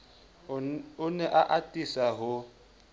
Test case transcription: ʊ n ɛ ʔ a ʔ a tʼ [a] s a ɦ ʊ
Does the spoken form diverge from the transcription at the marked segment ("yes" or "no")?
yes